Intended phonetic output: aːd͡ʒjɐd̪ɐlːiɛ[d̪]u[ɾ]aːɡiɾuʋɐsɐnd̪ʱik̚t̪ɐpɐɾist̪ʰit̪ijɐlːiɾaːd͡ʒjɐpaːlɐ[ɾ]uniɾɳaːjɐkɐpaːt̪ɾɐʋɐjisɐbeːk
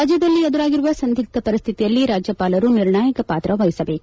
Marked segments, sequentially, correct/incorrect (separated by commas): correct, correct, correct